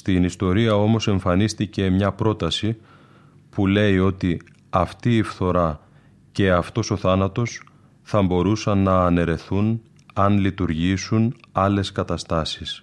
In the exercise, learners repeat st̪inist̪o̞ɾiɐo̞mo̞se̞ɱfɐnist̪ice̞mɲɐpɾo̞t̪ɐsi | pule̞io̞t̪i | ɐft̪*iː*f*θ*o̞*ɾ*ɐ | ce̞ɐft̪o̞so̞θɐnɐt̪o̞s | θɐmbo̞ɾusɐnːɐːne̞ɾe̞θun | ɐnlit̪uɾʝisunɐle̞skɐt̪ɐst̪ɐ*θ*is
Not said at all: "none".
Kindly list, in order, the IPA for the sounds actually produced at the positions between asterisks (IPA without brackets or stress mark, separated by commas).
iː, θ, ɾ, s